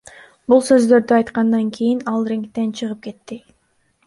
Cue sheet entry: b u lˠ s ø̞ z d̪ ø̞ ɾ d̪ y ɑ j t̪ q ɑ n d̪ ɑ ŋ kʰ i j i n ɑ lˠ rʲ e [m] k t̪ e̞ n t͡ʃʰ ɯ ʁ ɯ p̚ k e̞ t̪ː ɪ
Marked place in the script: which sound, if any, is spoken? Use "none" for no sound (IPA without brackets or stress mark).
ŋ